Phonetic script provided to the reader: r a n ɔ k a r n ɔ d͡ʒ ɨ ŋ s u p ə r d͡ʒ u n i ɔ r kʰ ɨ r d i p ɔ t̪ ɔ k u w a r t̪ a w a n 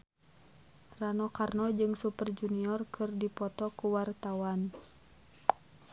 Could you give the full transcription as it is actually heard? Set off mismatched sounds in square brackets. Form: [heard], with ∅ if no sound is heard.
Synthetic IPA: r a n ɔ k a r n ɔ d͡ʒ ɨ ŋ s u p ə r d͡ʒ u n i ɔ r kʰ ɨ r d i p ɔ t̪ ɔ k u w a r t̪ a w a n